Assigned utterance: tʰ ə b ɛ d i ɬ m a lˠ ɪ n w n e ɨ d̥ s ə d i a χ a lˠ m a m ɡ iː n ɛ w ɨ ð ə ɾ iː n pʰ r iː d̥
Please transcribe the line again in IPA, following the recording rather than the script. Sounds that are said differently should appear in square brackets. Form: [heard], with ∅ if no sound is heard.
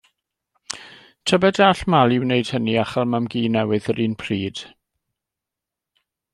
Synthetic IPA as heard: tʰ ə b ɛ d [a] ɬ m a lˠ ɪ [∅] w n e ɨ d̥ [h] ə [n] i a χ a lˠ m a m ɡ iː n ɛ w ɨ ð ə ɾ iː n pʰ r iː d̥